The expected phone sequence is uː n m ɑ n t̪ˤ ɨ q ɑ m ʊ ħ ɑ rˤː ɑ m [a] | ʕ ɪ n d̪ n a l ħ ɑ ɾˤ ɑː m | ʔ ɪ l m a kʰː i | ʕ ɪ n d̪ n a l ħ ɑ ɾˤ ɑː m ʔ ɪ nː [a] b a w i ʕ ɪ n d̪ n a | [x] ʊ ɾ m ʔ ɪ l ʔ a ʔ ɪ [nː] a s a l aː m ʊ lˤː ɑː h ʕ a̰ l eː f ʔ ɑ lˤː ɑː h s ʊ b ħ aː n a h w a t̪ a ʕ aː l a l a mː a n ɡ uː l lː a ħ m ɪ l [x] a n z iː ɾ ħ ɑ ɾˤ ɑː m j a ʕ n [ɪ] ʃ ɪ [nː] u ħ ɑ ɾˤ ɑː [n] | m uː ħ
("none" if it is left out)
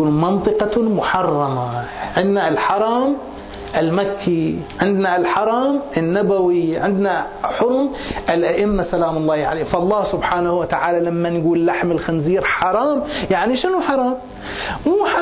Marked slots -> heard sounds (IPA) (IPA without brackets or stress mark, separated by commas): a, a, ħ, mː, x, i, n, m